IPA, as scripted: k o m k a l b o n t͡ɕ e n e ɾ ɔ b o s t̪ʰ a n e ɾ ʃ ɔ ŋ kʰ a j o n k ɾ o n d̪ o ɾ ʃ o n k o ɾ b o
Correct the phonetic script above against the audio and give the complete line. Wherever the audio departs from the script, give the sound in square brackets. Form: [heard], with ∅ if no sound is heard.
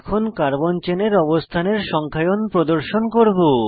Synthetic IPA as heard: [kʰ] o [n] k a [ɾ] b o n t͡ɕ e n e ɾ ɔ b o s t̪ʰ a n e ɾ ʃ ɔ ŋ kʰ a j o n [p] ɾ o [∅] d̪ o ɾ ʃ o n k o ɾ b o

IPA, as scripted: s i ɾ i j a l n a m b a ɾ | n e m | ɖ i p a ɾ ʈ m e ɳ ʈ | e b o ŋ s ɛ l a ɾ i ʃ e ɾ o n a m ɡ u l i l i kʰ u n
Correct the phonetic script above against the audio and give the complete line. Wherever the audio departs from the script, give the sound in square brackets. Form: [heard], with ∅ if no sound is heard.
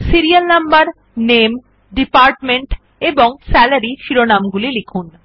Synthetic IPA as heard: s i ɾ i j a l n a m b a ɾ | n e m | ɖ i p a ɾ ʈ m e ɳ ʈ | e b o ŋ s ɛ l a ɾ i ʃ [i] ɾ o n a m ɡ u l i l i kʰ u n

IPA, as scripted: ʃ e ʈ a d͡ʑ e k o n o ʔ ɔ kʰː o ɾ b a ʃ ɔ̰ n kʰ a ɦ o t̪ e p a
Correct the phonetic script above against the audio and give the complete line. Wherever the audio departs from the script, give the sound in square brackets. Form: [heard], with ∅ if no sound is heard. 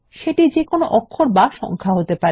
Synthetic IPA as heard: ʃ e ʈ [i] d͡ʑ e k o n o ʔ ɔ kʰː o ɾ b a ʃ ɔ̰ [ŋ] kʰ a ɦ o t̪ e p a

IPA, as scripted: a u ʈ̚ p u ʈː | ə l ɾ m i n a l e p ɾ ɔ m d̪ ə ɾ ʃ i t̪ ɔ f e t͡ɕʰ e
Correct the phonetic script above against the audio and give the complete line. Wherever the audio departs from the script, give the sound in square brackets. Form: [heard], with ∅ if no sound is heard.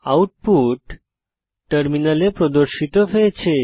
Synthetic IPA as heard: a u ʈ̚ p u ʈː | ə [∅] ɾ m i n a l e p ɾ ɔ [∅] d̪ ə ɾ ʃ i t̪ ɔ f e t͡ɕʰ e

